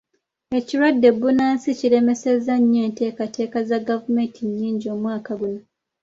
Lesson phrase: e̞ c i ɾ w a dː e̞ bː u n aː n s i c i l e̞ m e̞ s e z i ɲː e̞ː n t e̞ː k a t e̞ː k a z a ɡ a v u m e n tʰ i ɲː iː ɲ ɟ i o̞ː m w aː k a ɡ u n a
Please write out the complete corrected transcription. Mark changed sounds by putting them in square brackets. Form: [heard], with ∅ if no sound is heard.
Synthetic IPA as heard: e̞ c i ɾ w a dː e̞ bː u n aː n s i c i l e̞ m e̞ s e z [a] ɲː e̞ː n t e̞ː k a t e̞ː k a z a ɡ a v u m e n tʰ i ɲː iː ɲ ɟ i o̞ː m w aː k a ɡ u n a